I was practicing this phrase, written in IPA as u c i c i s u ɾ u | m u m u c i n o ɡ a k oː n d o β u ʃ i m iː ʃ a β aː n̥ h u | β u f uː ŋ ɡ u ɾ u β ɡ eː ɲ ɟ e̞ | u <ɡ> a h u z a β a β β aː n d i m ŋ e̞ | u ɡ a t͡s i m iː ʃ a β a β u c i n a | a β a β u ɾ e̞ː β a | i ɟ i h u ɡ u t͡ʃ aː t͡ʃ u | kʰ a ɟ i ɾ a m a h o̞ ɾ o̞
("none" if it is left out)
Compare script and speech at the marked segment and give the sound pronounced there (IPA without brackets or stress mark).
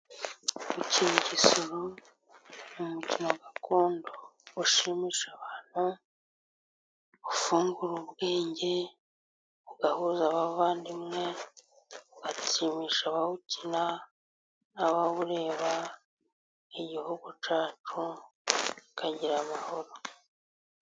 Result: ɡ